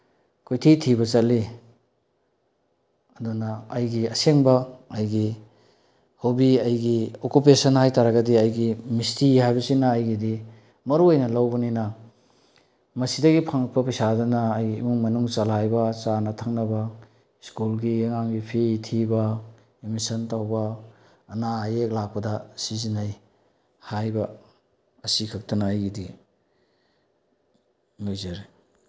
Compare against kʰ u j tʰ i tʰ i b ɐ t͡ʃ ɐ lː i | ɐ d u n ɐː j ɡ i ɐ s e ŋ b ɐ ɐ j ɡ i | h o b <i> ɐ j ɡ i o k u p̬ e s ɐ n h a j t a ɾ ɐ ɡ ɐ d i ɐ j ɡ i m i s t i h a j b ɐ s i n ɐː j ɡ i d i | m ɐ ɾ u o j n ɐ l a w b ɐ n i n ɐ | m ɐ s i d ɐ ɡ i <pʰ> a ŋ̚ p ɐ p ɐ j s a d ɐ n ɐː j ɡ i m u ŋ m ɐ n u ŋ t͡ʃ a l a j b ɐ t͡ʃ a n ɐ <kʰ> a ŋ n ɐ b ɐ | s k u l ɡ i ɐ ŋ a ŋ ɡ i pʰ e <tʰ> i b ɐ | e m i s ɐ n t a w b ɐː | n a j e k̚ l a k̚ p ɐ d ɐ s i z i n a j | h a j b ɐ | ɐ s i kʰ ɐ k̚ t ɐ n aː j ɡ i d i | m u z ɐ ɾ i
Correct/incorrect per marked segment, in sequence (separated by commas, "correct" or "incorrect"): correct, correct, incorrect, correct